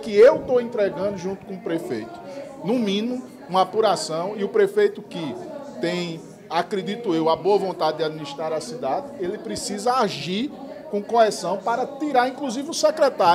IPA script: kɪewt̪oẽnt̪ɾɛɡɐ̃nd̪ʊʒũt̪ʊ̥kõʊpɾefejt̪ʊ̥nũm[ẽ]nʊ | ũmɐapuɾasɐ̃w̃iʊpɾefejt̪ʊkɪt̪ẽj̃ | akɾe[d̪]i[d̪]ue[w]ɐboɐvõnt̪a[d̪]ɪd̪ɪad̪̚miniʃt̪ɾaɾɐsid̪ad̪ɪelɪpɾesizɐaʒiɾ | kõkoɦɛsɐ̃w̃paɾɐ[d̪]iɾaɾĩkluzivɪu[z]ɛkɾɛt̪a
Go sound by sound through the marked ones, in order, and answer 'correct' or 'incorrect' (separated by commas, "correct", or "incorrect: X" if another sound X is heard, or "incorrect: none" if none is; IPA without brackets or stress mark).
incorrect: ĩ, correct, incorrect: t̪, correct, correct, incorrect: t̪, incorrect: s